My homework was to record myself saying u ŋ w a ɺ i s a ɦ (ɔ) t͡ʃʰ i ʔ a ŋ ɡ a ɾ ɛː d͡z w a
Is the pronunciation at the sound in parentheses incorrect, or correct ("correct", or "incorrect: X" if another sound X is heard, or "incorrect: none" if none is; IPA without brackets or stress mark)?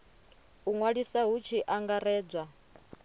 incorrect: u